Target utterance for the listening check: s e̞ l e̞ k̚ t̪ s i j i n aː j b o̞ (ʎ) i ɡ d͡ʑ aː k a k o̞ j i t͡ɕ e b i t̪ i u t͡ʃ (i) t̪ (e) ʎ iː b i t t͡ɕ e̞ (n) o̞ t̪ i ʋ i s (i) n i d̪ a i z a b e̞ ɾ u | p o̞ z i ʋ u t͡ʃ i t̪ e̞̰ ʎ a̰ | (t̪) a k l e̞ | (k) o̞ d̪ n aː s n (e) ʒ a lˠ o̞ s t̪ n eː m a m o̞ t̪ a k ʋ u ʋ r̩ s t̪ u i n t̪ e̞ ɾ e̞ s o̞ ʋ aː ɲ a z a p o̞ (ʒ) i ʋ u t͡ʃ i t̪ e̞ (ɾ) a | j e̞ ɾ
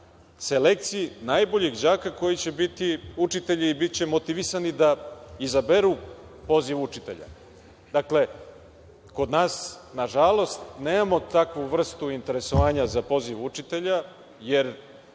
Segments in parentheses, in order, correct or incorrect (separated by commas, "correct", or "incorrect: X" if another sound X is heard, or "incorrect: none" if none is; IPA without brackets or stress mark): correct, correct, correct, incorrect: m, incorrect: a, incorrect: d̪, correct, incorrect: a, incorrect: z, incorrect: ʎ